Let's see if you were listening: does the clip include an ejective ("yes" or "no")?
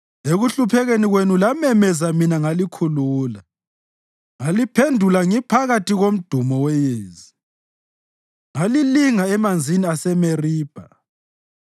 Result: no